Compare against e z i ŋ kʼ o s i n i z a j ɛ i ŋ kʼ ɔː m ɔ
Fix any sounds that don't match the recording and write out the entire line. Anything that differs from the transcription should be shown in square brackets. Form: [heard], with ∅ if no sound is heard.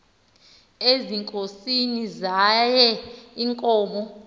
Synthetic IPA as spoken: e z i ŋ kʼ o s i n i z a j ɛ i ŋ kʼ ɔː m ɔ